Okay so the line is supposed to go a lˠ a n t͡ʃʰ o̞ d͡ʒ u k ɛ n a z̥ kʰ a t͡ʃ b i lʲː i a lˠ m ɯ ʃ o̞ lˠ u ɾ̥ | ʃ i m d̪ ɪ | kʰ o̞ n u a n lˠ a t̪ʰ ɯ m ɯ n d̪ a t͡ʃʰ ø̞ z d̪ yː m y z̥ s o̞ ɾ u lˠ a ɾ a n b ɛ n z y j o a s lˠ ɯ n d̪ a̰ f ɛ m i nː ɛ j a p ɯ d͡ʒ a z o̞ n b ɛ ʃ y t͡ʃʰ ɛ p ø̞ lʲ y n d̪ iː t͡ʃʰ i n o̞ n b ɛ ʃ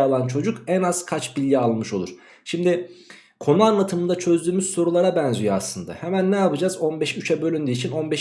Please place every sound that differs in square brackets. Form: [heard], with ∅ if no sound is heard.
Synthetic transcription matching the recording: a lˠ a n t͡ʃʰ o̞ d͡ʒ u k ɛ n a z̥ kʰ a t͡ʃ b i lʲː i a lˠ m ɯ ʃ o̞ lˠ u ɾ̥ | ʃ i m d̪ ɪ | kʰ o̞ n u a n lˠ a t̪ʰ ɯ m ɯ n d̪ a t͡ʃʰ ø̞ z d̪ yː m y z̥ s o̞ ɾ u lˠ a ɾ a [∅] b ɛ n z y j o a s lˠ ɯ n d̪ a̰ [h] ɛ m [æ] nː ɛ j a p ɯ d͡ʒ a z o̞ n b ɛ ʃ y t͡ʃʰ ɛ [b] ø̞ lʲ y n d̪ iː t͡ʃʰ i n o̞ n b ɛ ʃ